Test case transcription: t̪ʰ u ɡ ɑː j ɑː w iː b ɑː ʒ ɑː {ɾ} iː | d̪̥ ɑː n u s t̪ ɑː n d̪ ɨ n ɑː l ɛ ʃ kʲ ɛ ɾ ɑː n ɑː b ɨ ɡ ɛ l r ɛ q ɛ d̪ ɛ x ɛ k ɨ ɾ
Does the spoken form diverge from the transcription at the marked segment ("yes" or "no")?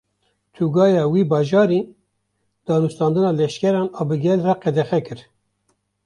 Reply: no